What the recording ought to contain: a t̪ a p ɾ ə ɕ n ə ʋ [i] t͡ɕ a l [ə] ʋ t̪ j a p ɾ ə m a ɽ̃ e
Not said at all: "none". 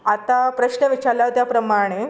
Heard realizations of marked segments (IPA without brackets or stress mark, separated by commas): i, a